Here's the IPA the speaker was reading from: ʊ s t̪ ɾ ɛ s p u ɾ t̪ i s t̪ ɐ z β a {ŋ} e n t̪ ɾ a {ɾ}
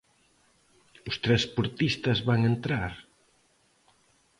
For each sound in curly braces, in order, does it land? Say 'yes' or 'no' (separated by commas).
yes, yes